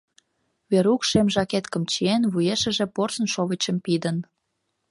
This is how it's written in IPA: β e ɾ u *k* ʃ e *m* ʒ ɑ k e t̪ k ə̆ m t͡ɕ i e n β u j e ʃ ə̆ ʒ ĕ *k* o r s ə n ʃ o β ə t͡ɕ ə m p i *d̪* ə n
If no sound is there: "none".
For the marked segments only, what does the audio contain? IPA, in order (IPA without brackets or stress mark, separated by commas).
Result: k, m, p, d̪